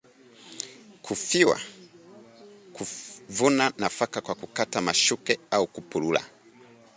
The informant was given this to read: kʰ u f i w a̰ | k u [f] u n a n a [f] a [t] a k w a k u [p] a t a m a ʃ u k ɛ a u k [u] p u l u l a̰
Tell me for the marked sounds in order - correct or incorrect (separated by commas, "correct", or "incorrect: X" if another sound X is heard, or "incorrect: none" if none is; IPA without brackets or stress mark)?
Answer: incorrect: v, correct, incorrect: k, incorrect: k, correct